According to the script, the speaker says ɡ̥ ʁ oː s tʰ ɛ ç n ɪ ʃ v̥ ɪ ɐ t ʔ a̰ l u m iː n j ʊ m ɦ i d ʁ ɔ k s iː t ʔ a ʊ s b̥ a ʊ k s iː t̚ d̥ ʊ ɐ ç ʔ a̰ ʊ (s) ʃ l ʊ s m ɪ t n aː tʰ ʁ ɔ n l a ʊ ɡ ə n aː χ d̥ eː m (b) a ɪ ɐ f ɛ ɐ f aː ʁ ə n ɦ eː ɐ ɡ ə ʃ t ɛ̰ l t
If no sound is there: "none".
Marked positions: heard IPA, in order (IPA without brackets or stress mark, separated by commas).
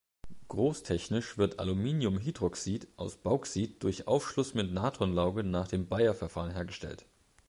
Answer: f, b